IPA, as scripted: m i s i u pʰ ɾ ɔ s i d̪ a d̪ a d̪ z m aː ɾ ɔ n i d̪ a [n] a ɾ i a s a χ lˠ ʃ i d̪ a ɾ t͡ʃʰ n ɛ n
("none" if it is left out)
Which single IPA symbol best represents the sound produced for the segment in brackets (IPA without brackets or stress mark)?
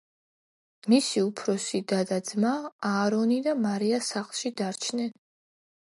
m